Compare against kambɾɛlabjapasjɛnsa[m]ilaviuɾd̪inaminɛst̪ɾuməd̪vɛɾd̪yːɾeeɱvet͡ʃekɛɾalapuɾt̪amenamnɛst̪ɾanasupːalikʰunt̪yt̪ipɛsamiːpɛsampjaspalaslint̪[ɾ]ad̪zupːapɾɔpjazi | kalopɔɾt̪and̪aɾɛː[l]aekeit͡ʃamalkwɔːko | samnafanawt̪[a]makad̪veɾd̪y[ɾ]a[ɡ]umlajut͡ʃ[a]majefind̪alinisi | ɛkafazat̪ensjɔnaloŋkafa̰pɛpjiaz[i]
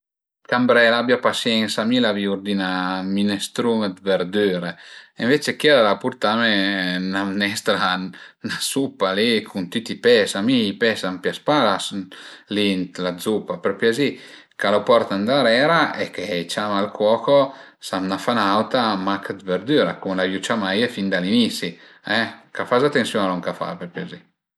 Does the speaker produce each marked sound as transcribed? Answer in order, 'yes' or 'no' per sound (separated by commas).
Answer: yes, no, no, yes, yes, no, yes, yes